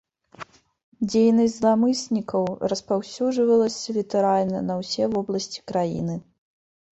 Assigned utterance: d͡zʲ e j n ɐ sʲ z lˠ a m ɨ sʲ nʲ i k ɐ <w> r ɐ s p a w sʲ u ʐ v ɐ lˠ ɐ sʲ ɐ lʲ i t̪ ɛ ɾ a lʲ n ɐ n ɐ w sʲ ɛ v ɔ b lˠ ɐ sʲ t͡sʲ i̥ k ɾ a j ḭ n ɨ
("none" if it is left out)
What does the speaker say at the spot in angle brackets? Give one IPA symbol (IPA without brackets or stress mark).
w